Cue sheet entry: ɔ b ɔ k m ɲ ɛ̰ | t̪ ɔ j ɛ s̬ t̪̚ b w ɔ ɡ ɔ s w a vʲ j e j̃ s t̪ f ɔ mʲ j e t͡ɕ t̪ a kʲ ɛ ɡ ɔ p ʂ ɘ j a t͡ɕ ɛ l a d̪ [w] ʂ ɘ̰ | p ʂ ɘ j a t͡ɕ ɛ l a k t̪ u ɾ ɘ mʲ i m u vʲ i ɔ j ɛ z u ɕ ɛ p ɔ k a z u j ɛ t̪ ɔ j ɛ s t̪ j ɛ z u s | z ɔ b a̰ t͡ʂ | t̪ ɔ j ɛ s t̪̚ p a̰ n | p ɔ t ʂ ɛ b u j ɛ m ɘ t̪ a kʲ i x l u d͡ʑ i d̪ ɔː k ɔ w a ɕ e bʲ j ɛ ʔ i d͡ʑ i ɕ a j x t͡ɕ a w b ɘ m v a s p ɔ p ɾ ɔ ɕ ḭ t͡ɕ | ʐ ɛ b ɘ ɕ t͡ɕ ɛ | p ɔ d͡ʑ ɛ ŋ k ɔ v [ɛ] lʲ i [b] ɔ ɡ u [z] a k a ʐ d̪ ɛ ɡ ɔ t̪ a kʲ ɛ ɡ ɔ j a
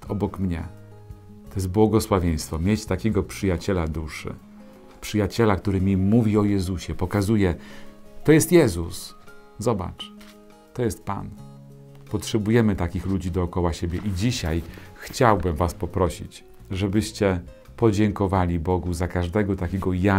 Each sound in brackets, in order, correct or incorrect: incorrect: u, incorrect: a, correct, correct

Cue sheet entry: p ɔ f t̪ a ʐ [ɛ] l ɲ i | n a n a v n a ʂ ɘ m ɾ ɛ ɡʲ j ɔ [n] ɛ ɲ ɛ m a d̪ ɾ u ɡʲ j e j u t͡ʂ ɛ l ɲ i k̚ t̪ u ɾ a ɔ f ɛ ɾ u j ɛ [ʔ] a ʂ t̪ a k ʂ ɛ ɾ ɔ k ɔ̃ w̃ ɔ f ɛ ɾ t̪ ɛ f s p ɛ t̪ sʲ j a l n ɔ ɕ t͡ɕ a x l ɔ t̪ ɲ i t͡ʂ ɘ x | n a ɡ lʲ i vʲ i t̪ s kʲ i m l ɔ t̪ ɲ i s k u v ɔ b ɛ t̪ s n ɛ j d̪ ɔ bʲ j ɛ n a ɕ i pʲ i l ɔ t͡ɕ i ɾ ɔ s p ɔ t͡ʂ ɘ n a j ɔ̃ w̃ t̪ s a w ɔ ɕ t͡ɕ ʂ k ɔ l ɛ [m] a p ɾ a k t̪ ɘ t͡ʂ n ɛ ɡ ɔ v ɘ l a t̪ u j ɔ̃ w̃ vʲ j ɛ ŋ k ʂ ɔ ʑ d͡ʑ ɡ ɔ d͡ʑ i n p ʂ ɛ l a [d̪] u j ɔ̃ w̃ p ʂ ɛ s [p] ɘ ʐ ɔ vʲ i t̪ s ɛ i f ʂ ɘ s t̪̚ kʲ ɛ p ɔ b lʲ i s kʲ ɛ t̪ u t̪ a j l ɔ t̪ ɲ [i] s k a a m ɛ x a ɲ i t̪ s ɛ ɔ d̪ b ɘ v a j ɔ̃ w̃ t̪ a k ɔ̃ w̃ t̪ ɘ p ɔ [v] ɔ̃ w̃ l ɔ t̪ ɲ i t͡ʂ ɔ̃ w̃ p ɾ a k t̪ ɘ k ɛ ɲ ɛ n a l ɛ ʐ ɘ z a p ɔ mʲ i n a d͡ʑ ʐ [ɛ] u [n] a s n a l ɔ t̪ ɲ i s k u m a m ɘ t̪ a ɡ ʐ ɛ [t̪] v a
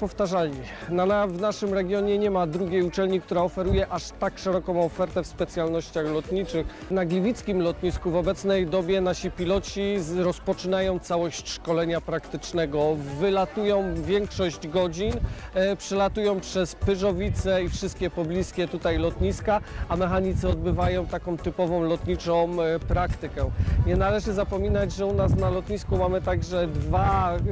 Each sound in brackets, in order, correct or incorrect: incorrect: a, incorrect: ɲ, correct, incorrect: ɲ, incorrect: t̪, correct, correct, correct, correct, correct, incorrect: d̪

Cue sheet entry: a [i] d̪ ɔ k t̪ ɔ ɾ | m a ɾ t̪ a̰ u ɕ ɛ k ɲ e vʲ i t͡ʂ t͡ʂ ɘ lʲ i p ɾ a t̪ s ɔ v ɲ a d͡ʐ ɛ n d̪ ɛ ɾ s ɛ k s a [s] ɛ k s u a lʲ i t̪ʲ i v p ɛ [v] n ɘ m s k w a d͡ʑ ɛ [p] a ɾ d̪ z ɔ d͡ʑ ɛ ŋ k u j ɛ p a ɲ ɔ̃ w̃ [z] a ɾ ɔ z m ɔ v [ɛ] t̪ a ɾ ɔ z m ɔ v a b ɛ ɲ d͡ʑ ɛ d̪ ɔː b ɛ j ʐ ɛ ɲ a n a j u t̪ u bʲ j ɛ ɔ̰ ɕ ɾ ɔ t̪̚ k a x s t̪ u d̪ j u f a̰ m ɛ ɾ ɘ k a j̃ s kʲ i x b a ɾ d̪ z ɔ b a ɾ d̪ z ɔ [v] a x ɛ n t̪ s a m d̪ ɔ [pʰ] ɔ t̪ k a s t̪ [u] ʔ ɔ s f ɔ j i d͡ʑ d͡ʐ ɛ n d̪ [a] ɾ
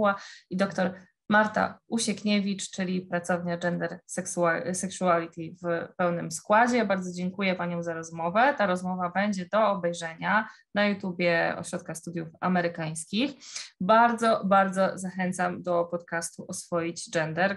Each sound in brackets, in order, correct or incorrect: correct, correct, incorrect: w, incorrect: b, correct, correct, incorrect: z, incorrect: p, correct, incorrect: ɛ

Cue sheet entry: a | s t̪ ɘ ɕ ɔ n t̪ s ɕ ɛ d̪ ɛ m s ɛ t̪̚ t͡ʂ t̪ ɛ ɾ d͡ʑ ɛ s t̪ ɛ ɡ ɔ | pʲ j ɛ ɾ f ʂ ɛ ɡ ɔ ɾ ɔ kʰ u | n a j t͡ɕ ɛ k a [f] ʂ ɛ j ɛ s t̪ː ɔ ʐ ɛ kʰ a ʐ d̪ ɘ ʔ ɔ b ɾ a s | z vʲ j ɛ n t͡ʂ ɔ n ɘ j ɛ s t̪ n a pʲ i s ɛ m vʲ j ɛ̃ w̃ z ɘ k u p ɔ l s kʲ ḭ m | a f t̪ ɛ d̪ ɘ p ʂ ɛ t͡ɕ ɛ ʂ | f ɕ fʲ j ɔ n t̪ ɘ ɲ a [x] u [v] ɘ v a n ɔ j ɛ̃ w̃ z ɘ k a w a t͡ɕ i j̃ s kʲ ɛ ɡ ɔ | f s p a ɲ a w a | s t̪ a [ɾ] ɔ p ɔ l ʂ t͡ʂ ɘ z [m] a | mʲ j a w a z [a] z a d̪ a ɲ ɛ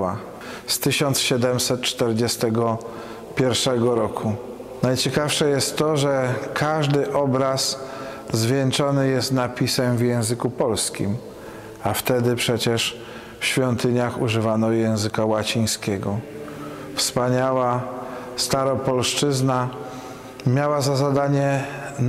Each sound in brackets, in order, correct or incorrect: correct, correct, incorrect: ʐ, correct, incorrect: n, correct

